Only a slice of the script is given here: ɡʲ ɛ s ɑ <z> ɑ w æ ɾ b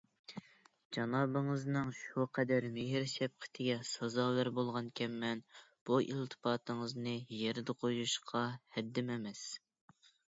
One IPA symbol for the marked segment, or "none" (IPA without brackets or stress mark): z